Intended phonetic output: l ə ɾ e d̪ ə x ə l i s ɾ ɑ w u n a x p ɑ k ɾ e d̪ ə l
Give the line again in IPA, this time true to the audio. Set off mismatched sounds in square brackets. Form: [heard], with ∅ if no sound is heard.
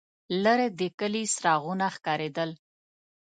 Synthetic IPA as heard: l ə ɾ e d̪ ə [k] ə l i s ɾ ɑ [ɣ] u n a x [k] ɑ [∅] ɾ e d̪ ə l

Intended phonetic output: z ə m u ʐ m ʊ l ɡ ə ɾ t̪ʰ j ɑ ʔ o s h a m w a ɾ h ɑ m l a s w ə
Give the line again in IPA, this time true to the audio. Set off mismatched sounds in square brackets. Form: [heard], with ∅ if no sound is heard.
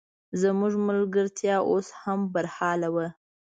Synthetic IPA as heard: z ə m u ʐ m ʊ l ɡ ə ɾ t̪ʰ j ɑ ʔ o s h a m [b] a ɾ h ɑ [∅] l a [∅] w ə

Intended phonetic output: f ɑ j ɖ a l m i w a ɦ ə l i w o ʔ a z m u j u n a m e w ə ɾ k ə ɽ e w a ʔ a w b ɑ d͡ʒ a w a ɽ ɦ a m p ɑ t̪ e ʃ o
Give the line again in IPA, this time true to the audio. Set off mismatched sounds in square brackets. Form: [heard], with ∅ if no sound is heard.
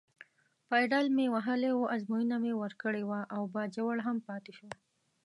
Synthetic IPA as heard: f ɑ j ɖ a l m [e] w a ɦ ə l [e] w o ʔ a z m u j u n a m e w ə ɾ k ə ɽ e w a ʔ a w b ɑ d͡ʒ a w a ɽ ɦ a m p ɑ t̪ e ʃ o

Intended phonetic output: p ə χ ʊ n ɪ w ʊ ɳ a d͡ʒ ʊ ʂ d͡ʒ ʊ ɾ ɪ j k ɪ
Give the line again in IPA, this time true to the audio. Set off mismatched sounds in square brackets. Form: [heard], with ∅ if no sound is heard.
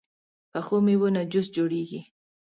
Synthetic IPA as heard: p [a] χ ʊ [m] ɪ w ʊ [n] a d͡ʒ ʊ [s] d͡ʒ ʊ ɾ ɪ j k ɪ

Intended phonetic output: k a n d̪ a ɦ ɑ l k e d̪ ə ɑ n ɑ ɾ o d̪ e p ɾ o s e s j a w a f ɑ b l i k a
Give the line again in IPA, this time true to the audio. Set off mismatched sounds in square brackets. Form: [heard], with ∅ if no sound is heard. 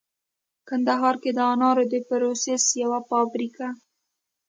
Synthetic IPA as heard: k a n d̪ a ɦ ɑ [ɾ] k e d̪ ə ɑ n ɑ ɾ o d̪ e p ɾ o s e s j a w a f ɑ b [ɾ] i k a

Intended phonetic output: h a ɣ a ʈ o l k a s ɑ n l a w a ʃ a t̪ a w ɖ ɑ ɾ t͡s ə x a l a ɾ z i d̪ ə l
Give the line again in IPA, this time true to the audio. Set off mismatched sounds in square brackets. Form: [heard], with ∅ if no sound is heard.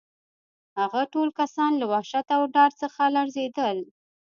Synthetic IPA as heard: h a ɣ a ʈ o l k a s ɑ n l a w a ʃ a t̪ a w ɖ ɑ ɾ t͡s ə x a l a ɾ z [e] d̪ ə l

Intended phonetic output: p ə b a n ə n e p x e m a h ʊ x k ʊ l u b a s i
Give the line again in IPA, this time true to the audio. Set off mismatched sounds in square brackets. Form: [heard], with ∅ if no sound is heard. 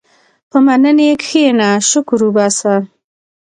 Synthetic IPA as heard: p ə [m] a n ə n e [k] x e [n] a [ʃ] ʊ [∅] k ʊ [ɾ] u b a s [a]

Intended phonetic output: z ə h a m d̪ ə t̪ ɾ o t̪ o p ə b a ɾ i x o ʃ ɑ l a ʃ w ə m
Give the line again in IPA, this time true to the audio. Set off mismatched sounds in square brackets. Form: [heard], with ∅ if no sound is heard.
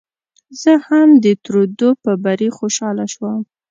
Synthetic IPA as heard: z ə h a m d̪ ə t̪ ɾ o [d̪] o p ə b a ɾ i x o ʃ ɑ l a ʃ w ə m

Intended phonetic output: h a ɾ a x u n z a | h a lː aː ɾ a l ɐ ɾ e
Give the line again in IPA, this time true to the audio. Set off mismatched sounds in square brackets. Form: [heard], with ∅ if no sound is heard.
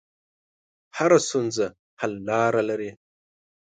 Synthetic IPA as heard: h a ɾ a [s] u n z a | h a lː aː ɾ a l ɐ ɾ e

